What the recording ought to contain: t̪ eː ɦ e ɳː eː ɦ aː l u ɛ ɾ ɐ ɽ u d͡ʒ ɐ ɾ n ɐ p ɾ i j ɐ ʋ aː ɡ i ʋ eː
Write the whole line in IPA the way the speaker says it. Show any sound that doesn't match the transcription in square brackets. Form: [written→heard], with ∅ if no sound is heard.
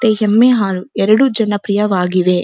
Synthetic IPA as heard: t̪ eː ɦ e [ɳː→mː] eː ɦ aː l u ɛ ɾ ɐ ɽ u d͡ʒ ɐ [ɾ→∅] n ɐ p ɾ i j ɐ ʋ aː ɡ i ʋ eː